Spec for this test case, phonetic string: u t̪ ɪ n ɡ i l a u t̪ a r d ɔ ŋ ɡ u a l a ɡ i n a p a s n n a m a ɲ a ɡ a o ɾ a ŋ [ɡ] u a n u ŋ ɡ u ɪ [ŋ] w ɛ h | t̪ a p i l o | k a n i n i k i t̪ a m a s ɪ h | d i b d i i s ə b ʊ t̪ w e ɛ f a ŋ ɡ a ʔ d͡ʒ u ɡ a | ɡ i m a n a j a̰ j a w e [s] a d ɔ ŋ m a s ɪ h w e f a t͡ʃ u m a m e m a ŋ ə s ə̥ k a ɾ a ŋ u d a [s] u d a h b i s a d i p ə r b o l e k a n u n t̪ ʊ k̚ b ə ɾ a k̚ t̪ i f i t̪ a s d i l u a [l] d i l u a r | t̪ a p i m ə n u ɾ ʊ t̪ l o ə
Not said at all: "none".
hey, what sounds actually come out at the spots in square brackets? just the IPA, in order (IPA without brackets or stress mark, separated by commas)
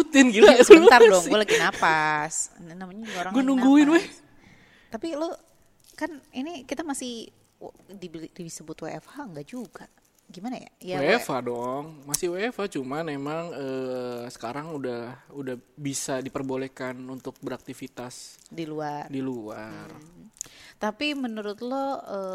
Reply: ɡ, n, f, h, r